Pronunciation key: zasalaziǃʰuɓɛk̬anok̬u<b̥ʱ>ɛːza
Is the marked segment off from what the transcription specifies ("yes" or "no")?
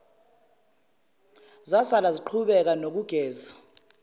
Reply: yes